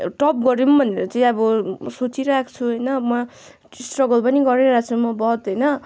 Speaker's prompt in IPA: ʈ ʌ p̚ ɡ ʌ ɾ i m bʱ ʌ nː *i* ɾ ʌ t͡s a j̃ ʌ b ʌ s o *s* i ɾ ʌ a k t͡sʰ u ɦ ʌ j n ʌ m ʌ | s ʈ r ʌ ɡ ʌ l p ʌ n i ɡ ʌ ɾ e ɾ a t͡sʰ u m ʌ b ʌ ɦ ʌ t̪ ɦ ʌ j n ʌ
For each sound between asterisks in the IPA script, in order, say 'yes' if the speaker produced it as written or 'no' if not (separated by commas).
no, no